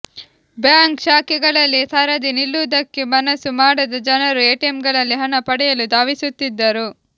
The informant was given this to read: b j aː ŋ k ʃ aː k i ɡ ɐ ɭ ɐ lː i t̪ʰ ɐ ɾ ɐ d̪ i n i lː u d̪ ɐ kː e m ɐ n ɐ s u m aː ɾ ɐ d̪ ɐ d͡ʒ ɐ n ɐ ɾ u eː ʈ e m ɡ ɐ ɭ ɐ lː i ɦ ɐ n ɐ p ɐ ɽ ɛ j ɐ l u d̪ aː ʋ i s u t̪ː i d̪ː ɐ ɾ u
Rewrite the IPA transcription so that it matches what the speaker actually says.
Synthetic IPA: b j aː ŋ k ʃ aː k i ɡ ɐ ɭ ɐ lː i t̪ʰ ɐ ɾ ɐ d̪ i n i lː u d̪ ɐ kː e m ɐ n ɐ s u m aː ɽ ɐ d̪ ɐ d͡ʒ ɐ n ɐ ɾ u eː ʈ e m ɡ ɐ ɭ ɐ lː i ɦ ɐ n ɐ p ɐ ɽ ɛ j ɐ l u d̪ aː ʋ i s u t̪ː i d̪ː ɐ ɾ u